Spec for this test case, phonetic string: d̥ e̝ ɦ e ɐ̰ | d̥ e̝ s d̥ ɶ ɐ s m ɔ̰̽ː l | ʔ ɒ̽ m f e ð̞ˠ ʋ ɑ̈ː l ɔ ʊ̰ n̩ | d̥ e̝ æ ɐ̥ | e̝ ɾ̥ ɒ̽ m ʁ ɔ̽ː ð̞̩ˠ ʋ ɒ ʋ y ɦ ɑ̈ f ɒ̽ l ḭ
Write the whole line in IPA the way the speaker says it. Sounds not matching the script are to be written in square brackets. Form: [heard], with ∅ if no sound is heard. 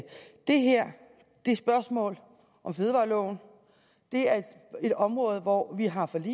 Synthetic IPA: d̥ e̝ ɦ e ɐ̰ | d̥ e̝ s [b̥] ɶ ɐ s m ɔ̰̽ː l | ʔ ɒ̽ m f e ð̞ˠ ʋ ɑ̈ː l ɔ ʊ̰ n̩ | d̥ e̝ æ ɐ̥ | e̝ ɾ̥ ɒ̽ m ʁ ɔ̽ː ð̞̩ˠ ʋ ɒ ʋ [i] ɦ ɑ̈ f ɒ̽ l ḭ

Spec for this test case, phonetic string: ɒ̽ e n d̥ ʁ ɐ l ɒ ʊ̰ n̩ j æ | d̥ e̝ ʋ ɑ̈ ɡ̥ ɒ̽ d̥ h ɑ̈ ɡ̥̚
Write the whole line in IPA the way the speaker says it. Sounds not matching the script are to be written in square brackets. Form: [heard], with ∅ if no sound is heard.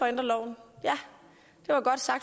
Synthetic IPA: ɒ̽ e n d̥ ʁ ɐ l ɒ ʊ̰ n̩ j æ | d̥ e̝ ʋ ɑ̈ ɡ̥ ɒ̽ d̥ [s] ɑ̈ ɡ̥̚

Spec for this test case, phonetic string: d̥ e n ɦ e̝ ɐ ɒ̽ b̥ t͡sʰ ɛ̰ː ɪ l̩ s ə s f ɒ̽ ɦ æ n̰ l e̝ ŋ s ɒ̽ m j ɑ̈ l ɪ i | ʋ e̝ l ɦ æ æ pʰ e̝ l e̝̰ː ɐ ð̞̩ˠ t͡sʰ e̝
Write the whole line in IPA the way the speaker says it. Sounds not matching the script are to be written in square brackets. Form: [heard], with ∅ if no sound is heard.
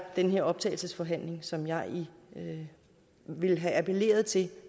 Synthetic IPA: d̥ e n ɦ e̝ ɐ ɒ̽ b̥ t͡sʰ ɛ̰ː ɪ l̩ s ə s f ɒ̽ ɦ æ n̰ l e̝ ŋ s ɒ̽ m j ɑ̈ [∅] ɪ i | ʋ e̝ l ɦ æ æ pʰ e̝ l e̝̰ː ɐ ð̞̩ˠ t͡sʰ e̝

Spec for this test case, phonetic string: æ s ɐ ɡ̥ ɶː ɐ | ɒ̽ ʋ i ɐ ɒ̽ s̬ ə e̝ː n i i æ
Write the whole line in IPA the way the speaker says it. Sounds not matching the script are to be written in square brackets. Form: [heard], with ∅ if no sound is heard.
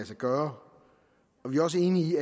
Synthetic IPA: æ s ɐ ɡ̥ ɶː ɐ | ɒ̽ ʋ i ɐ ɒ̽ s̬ ə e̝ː n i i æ

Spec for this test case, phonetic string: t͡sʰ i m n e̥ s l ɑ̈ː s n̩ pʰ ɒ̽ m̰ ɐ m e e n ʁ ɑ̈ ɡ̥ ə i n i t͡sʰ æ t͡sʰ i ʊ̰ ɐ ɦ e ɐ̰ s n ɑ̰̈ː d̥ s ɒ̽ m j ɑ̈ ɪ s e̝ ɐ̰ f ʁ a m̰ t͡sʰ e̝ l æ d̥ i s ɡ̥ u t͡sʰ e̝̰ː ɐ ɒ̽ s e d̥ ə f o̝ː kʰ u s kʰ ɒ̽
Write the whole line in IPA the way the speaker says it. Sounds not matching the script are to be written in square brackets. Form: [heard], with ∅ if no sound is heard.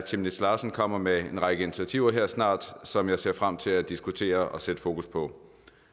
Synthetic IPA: t͡sʰ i m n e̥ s l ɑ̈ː s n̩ [kʰ] ɒ̽ m̰ ɐ m e e n ʁ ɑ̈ ɡ̥ ə i n i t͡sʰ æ t͡sʰ i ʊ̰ ɐ ɦ e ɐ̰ s n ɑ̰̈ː d̥ s ɒ̽ m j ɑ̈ ɪ s e̝ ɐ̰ f ʁ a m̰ t͡sʰ e̝ l æ d̥ i s ɡ̥ u t͡sʰ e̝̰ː ɐ ɒ̽ s e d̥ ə f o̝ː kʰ u s [pʰ] ɒ̽

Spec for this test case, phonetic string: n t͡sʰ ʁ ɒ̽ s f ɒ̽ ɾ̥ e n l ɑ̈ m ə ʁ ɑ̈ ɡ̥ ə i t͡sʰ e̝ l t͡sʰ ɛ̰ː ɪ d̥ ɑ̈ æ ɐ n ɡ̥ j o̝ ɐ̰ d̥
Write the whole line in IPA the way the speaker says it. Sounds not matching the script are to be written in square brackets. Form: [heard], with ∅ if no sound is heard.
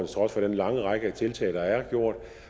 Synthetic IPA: n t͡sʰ ʁ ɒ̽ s f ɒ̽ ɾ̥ e n l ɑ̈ [ŋ] ə ʁ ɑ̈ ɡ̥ ə [æ] t͡sʰ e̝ l t͡sʰ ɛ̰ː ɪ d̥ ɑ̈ æ ɐ [∅] ɡ̥ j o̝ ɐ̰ d̥

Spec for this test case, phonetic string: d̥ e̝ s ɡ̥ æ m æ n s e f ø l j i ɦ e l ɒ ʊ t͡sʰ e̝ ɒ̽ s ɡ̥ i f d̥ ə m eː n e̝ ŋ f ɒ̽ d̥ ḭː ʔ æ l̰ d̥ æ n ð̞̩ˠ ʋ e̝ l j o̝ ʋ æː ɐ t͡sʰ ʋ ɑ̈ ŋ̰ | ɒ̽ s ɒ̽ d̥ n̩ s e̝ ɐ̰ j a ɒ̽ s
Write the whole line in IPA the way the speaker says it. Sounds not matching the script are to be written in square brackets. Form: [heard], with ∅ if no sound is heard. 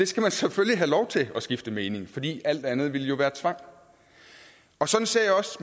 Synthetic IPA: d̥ e̝ s ɡ̥ æ m æ n s e f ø l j i ɦ [æ] l ɒ ʊ t͡sʰ e̝ ɒ̽ s ɡ̥ i f d̥ ə m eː n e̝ ŋ f ɒ̽ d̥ ḭː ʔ æ l̰ d̥ æ n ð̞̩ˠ ʋ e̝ l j o̝ ʋ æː ɐ t͡sʰ ʋ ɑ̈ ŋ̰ | ɒ̽ s ɒ̽ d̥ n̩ s e̝ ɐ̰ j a ɒ̽ s

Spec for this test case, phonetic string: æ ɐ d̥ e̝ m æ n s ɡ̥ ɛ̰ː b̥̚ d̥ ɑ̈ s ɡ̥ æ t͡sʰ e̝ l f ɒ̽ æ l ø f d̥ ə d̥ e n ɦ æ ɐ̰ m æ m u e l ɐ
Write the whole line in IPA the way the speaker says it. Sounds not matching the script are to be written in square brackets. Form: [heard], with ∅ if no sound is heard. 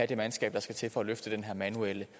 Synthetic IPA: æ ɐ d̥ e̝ m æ n s ɡ̥ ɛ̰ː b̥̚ d̥ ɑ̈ s ɡ̥ æ t͡sʰ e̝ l f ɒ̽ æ l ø f d̥ ə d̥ e n ɦ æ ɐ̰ m æ [n] u e l [ə]

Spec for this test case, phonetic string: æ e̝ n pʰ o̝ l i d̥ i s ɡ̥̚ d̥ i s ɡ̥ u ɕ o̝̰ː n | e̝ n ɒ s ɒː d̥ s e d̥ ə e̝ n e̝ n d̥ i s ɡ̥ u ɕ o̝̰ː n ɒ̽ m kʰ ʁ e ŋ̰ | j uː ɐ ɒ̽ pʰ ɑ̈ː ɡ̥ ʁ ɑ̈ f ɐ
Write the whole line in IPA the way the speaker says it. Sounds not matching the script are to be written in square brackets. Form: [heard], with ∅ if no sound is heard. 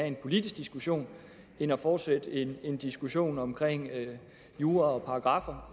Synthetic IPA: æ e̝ n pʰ o̝ l i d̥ i s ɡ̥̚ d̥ i s ɡ̥ u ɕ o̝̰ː n | e̝ n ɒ [f] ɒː d̥ s e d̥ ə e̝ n e̝ n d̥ i s ɡ̥ u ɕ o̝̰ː n ɒ̽ m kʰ ʁ e ŋ̰ | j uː ɐ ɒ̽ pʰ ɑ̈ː ɡ̥ ʁ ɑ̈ f ɐ

